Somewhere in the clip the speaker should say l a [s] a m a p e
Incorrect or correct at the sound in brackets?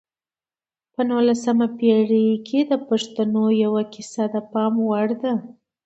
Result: correct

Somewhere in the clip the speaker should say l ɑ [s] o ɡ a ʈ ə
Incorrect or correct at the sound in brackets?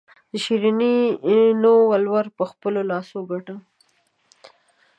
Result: correct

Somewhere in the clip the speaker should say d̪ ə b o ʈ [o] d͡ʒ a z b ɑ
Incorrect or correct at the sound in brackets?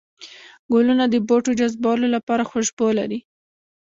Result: correct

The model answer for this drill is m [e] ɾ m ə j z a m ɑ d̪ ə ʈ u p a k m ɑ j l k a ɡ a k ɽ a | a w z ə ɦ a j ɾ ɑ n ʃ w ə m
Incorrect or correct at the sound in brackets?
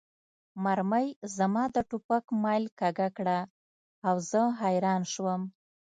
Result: incorrect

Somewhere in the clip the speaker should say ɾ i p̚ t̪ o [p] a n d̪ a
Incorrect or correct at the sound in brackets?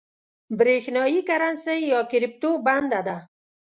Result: incorrect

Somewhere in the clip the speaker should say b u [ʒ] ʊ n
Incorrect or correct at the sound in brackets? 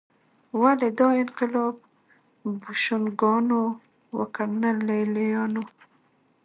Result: incorrect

